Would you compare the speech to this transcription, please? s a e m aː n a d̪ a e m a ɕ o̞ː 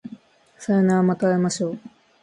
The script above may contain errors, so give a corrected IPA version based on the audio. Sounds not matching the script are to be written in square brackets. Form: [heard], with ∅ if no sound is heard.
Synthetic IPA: s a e [n] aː [m] a [t̪] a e m a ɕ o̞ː